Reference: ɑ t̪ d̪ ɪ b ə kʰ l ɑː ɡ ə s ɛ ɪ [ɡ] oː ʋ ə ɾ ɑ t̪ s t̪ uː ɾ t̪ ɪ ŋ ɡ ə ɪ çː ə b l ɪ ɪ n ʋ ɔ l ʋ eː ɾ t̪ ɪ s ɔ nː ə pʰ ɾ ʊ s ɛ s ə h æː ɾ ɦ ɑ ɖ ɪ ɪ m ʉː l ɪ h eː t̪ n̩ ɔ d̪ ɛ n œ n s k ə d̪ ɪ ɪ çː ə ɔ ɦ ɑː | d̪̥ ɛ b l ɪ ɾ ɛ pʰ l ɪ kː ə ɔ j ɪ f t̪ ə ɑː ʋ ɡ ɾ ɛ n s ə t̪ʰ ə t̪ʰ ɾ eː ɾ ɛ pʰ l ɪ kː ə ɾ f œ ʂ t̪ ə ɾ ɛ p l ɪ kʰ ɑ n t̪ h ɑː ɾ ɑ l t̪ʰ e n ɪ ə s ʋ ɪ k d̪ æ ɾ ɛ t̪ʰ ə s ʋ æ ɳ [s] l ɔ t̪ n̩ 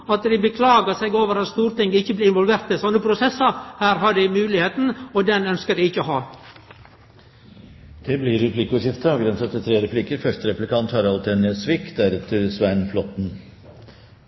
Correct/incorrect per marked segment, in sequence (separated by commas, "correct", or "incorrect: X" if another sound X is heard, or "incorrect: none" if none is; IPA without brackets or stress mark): correct, incorrect: f